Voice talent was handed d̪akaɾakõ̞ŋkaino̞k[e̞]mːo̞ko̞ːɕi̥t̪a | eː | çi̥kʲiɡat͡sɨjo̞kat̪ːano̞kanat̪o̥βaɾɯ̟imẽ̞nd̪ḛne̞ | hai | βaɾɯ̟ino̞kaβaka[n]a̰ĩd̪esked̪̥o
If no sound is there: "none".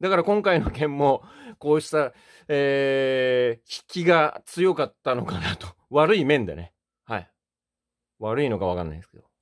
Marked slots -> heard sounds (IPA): ẽ̞, nː

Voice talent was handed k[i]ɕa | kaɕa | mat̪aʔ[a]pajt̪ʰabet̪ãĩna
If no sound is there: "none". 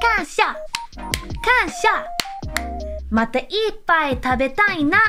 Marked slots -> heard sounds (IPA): a, i

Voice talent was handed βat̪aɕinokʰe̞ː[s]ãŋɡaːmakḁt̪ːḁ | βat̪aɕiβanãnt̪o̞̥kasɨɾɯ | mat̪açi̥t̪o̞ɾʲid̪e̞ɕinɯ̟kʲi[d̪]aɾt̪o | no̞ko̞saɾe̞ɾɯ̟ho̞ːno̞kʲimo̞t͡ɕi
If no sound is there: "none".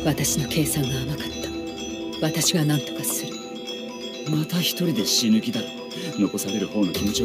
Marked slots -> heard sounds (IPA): s, d̪

